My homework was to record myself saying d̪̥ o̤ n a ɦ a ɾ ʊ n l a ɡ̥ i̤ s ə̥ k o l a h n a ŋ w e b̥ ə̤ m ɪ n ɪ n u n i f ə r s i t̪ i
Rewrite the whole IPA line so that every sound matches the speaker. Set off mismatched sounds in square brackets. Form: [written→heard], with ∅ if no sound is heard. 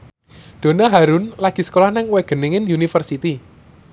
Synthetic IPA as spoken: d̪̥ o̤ n a ɦ a ɾ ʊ n l a ɡ̥ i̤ s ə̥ k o l a h n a ŋ w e [b̥→ɡ̥] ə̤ [m→n] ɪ [n→ŋ] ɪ n u n i f ə r s i t̪ i